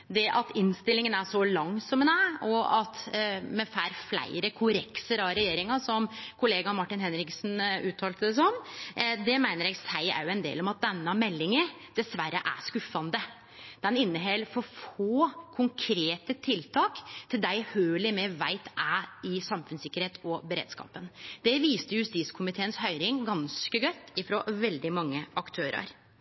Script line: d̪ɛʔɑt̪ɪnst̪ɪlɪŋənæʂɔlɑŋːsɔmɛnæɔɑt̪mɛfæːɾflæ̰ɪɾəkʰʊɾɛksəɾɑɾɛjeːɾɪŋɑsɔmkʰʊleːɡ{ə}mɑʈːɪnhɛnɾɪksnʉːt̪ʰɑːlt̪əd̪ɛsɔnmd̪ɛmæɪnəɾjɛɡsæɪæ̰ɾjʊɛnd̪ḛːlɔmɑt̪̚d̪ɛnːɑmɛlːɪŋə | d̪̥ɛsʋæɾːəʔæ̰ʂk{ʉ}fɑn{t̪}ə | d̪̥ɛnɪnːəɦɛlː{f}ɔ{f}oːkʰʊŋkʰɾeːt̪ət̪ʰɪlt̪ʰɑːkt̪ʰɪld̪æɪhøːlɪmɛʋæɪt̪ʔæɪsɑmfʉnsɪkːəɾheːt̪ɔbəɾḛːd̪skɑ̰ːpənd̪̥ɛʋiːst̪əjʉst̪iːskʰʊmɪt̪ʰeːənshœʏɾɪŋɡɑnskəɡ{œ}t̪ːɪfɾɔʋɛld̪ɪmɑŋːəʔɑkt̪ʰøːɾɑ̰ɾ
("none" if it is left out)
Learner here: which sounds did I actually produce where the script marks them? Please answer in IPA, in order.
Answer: ɑ, ʉ, d̪, f, f, œ

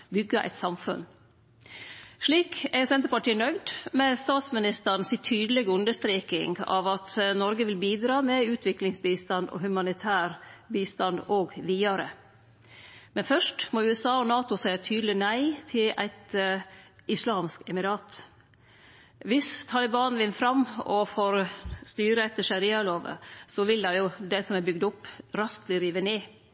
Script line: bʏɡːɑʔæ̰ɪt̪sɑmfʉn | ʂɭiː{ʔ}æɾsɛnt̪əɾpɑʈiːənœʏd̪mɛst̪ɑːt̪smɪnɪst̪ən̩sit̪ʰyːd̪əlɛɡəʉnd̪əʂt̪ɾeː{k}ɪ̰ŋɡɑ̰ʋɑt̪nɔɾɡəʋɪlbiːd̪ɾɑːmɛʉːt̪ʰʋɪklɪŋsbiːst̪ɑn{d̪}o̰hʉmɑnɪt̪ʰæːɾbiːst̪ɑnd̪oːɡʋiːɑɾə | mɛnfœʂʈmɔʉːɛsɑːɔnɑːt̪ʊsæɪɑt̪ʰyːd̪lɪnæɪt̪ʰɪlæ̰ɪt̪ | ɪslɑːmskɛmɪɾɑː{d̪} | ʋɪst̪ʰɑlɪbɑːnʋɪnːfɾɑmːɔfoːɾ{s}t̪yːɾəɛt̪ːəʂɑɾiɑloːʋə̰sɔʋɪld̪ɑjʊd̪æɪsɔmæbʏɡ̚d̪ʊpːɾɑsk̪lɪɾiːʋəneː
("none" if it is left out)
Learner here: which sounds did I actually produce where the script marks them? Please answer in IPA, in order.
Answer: k, k, d̪, t̪, s

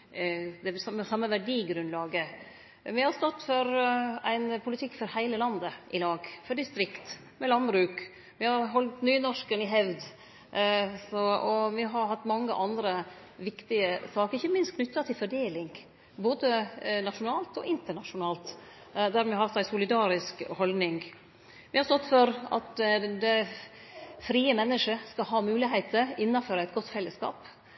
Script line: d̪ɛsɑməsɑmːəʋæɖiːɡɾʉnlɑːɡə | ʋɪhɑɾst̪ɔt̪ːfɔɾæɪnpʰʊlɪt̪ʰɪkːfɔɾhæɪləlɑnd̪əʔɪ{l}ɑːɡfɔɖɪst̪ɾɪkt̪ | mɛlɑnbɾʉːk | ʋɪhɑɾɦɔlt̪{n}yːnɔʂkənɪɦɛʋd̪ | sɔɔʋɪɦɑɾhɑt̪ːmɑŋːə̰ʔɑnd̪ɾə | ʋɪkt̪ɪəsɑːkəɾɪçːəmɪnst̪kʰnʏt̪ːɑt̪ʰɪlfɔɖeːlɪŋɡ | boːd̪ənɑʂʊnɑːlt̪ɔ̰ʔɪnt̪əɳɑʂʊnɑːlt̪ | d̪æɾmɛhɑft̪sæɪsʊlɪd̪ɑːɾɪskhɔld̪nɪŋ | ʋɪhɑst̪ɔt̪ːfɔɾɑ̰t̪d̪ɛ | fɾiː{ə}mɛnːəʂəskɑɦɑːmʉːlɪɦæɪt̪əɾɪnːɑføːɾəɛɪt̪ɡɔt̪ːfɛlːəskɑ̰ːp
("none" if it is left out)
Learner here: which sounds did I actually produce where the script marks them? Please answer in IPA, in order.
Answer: l, n, ə

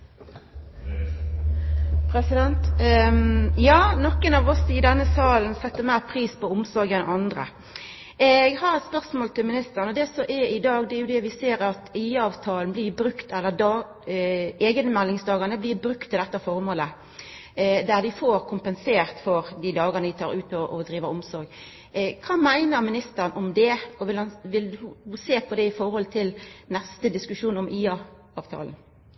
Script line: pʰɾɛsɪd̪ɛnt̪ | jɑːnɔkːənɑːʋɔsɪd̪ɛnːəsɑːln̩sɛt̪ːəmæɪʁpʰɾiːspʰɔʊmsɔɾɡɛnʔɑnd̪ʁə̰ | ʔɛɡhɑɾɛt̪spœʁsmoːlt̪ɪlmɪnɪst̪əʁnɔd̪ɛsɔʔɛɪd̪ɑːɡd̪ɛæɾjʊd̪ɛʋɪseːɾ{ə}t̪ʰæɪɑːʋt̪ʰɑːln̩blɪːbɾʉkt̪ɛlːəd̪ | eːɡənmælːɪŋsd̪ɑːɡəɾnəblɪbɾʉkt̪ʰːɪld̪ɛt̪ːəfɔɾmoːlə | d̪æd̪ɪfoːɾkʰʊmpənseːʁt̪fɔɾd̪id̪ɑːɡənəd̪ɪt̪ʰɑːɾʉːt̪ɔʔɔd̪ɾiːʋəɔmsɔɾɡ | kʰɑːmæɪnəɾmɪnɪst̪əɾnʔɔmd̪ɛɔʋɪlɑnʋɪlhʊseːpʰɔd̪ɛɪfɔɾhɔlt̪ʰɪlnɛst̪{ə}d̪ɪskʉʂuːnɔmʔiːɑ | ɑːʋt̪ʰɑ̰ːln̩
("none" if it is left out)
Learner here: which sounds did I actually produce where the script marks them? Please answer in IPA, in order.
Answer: ɑ, ə

